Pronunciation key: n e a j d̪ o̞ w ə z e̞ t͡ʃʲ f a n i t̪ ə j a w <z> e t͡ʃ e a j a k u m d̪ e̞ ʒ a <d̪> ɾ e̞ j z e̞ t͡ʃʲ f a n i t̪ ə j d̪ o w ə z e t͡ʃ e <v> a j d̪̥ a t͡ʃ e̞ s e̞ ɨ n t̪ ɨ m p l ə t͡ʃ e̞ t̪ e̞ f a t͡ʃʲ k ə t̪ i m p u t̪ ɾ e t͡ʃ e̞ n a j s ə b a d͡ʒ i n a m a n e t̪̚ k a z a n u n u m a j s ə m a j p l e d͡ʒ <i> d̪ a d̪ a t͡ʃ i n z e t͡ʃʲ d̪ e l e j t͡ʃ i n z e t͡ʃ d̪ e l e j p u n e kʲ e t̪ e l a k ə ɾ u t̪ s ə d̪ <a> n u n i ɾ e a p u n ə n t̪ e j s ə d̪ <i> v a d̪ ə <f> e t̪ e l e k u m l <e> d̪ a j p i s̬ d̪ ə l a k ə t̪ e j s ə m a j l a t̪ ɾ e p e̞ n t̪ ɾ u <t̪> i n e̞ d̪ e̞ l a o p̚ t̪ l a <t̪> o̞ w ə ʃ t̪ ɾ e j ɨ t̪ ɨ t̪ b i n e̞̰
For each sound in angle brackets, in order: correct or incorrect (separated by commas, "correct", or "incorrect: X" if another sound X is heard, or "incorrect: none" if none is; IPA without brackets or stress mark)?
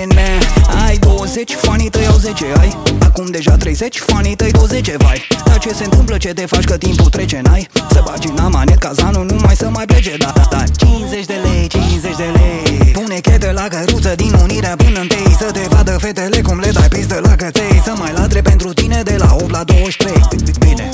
correct, incorrect: t̪, correct, incorrect: e, incorrect: i, incorrect: e, correct, correct, correct, incorrect: d̪